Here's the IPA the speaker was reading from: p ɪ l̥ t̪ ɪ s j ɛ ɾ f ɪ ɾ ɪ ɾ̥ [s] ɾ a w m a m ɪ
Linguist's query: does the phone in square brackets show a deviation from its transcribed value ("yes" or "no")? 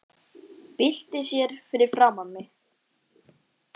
yes